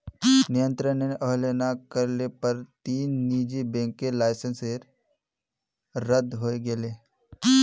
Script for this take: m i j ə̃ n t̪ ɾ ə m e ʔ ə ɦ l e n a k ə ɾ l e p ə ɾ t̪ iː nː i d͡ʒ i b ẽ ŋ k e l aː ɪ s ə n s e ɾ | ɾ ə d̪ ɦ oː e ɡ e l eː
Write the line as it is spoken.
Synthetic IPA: n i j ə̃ n t̪ ɾ ə n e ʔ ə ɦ l e n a k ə ɾ l e p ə ɾ t̪ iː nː i d͡ʒ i b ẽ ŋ k e l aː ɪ s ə n s e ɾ | ɾ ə d̪ ɦ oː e ɡ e l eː